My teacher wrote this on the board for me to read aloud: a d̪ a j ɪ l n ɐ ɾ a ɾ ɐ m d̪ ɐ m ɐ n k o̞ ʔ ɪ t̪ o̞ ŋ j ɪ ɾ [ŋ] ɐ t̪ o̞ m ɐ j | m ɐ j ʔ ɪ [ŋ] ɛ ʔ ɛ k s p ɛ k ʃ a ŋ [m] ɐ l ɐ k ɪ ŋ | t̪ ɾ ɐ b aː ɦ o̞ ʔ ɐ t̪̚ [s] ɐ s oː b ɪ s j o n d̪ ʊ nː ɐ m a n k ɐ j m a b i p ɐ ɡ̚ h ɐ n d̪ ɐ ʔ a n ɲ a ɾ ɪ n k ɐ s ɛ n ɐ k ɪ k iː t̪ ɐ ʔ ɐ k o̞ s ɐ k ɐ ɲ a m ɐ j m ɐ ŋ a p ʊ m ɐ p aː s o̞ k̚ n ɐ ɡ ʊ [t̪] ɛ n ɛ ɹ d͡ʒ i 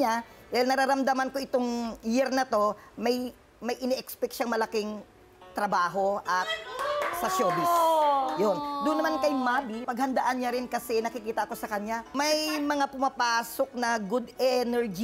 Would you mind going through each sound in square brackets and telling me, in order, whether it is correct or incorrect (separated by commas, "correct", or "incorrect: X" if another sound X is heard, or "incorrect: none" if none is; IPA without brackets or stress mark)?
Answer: incorrect: n, incorrect: n, correct, correct, incorrect: d̪